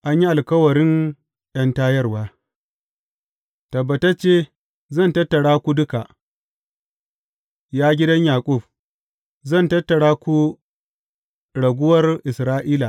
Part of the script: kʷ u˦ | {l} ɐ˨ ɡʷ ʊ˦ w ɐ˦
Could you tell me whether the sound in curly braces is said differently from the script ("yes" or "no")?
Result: yes